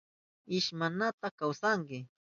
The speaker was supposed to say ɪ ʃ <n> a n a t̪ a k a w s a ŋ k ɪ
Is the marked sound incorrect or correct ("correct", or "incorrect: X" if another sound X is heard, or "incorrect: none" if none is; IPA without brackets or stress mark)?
incorrect: m